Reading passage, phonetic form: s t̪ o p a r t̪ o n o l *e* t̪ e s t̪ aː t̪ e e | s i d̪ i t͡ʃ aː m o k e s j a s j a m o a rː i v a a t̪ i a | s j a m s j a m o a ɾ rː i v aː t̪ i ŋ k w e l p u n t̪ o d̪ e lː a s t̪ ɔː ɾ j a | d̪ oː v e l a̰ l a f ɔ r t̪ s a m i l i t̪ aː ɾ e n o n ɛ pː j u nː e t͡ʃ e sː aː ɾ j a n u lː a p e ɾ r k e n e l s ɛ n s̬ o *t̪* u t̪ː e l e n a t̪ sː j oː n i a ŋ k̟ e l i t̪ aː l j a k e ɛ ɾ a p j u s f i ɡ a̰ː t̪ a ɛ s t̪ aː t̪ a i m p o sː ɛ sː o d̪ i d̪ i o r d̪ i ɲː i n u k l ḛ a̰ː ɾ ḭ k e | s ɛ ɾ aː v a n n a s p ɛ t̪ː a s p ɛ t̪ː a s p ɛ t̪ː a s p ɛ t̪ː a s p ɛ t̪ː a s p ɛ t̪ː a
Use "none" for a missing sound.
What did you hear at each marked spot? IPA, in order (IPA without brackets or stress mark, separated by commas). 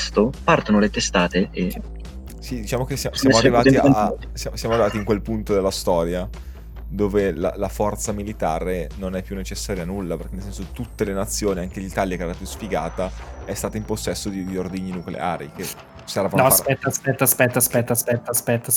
e, t̪